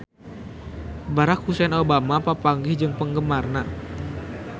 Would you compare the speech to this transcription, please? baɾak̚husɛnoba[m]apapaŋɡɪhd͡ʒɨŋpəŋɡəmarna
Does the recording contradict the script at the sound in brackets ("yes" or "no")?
no